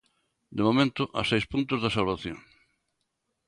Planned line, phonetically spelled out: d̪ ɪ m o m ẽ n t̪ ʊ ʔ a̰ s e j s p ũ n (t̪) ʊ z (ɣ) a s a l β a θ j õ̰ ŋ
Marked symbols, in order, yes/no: yes, no

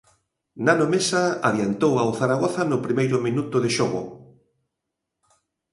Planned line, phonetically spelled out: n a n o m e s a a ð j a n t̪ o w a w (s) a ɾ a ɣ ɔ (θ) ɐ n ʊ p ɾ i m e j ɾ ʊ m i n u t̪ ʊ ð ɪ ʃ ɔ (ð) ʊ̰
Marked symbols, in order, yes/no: no, yes, no

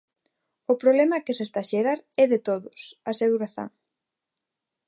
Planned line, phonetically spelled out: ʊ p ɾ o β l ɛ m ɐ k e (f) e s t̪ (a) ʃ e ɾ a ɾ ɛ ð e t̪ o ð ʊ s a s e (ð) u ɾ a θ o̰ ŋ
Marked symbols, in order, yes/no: no, yes, no

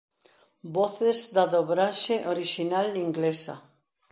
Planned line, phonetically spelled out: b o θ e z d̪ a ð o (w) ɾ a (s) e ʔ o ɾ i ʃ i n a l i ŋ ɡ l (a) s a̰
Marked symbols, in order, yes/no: no, no, no

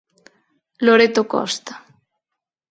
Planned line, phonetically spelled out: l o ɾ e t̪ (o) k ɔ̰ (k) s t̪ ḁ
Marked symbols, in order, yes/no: yes, no

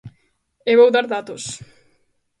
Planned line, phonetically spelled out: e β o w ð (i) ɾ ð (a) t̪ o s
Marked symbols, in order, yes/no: no, yes

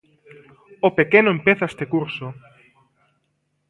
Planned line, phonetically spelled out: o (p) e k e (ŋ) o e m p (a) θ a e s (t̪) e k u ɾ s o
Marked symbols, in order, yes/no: yes, no, no, yes

